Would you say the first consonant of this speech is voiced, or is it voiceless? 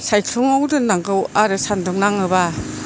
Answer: voiceless